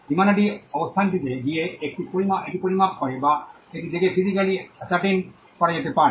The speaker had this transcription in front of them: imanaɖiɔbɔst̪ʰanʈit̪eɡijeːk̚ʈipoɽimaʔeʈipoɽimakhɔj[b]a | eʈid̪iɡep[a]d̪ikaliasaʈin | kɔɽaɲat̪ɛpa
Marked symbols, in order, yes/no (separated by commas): yes, no